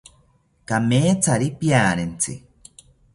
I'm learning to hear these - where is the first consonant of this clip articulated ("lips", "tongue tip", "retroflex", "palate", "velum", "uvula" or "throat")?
velum